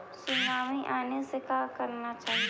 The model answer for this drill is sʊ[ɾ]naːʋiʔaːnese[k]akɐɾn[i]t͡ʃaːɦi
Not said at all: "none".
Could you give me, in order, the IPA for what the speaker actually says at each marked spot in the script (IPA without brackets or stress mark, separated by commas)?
none, k, a